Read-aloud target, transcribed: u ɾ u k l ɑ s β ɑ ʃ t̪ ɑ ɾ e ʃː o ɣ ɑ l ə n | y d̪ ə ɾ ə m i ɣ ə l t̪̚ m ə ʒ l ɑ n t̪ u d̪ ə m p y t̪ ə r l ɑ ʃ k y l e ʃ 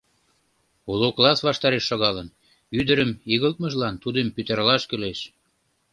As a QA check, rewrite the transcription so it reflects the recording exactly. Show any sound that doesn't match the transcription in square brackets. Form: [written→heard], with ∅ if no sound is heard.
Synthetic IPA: u [ɾ→l] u k l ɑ s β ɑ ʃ t̪ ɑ ɾ e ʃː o ɣ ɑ l ə n | y d̪ ə ɾ ə m i ɣ ə l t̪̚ m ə ʒ l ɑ n t̪ u d̪ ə m p y t̪ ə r l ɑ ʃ k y l e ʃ